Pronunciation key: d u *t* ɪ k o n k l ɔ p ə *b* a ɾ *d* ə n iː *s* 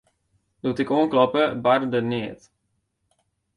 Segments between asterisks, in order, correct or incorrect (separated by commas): correct, correct, correct, incorrect